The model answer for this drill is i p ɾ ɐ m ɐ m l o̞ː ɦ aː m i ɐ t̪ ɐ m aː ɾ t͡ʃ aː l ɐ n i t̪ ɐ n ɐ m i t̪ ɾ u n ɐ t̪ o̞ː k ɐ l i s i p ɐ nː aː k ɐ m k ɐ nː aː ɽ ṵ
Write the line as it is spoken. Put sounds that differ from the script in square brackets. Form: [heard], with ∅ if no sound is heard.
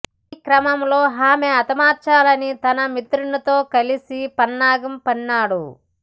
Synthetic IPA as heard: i [k] ɾ ɐ m ɐ m l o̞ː ɦ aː m [e] ɐ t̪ ɐ m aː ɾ t͡ʃ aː l ɐ n i t̪ ɐ n ɐ m i t̪ ɾ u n ɐ t̪ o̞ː k ɐ l i s i p ɐ nː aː [ɡ] ɐ m [p] ɐ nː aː ɽ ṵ